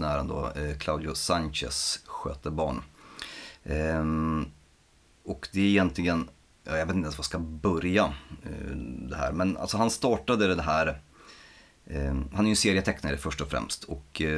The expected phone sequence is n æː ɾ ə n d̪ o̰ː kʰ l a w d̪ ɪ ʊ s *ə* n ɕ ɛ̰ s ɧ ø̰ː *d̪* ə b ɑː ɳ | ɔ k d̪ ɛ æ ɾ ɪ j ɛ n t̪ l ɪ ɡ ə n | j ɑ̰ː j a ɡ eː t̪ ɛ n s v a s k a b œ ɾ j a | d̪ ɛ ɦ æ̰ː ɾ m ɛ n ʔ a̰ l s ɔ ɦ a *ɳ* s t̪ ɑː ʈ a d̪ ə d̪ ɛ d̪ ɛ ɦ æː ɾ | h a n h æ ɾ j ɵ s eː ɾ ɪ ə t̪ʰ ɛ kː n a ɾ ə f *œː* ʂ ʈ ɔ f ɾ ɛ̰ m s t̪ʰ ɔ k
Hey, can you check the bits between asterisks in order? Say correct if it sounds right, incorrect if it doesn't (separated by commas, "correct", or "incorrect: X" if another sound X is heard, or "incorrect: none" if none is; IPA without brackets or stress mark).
incorrect: a, incorrect: t̪, incorrect: n, incorrect: œ